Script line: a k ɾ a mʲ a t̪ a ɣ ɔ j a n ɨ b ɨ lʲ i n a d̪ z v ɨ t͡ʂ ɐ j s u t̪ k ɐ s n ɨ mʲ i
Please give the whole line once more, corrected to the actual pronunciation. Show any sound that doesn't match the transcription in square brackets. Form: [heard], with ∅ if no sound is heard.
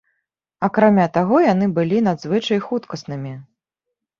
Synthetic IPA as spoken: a k ɾ a mʲ a t̪ a ɣ ɔ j a n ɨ b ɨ lʲ i n a d̪ z v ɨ t͡ʂ ɐ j [x] u t̪ k ɐ s n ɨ mʲ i